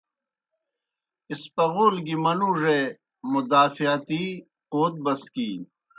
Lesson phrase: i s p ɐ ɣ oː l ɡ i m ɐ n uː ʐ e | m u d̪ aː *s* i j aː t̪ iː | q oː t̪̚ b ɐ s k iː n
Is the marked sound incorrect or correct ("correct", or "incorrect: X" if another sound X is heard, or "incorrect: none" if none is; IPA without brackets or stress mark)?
incorrect: f